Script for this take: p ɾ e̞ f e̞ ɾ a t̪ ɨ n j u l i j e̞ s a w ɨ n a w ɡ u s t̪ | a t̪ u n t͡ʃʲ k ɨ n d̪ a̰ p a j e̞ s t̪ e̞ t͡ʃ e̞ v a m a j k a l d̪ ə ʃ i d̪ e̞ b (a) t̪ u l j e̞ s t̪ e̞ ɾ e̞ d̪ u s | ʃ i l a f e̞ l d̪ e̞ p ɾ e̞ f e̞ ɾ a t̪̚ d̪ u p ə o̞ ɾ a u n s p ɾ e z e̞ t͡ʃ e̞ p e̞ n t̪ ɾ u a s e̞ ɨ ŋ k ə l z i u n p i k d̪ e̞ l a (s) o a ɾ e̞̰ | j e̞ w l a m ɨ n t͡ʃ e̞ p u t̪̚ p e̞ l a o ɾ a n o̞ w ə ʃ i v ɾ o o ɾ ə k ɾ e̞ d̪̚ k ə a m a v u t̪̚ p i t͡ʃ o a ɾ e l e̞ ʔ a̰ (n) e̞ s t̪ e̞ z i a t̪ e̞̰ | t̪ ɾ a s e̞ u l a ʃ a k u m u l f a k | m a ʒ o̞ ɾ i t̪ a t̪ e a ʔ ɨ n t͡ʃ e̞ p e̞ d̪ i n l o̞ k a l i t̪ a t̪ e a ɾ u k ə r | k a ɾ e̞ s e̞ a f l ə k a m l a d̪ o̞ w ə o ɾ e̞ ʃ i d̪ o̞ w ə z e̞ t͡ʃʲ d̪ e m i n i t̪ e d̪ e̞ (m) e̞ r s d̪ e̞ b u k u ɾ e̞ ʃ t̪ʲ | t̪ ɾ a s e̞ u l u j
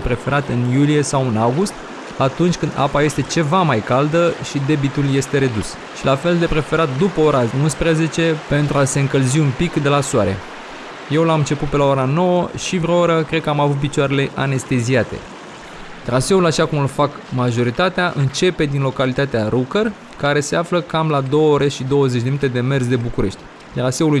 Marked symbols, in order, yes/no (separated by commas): no, yes, yes, yes